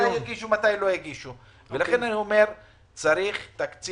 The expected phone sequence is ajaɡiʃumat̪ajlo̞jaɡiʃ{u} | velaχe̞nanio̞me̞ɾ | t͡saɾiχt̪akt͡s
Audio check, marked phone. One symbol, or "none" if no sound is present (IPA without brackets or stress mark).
u